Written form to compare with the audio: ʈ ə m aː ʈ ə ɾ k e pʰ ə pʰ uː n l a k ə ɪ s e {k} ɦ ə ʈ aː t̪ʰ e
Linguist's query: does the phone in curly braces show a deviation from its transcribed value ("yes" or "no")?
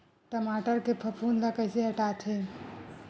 yes